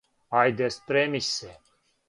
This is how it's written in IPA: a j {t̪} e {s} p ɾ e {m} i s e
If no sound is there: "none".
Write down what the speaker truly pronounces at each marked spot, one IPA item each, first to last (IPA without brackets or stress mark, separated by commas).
d̪, s, m